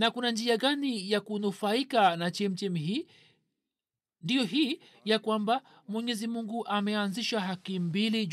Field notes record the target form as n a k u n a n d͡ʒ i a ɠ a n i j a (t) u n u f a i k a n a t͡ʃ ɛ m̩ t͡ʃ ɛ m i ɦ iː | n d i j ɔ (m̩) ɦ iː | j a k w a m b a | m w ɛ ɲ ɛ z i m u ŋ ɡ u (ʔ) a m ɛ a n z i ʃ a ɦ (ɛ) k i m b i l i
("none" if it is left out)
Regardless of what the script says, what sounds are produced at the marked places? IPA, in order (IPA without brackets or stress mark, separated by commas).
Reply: k, none, ʔ, a